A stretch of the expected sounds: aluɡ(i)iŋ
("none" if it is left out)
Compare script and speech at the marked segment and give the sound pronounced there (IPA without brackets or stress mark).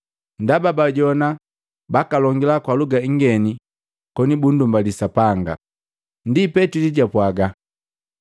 a